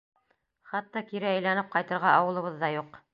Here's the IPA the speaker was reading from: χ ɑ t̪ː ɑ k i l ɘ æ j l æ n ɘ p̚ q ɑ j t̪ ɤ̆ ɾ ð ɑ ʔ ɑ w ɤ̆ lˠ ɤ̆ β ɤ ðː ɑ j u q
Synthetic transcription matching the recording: χ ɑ t̪ː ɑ k i ɾ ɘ æ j l æ n ɘ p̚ q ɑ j t̪ ɤ̆ ɾ ʁ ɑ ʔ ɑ w ɤ̆ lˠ ɤ̆ β ɤ ðː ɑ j u q